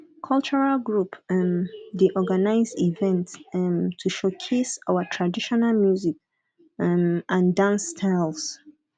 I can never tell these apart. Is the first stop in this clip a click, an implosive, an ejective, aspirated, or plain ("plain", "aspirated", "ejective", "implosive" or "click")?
aspirated